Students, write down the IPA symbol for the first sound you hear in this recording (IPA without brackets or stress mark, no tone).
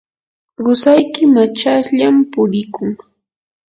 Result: ɢ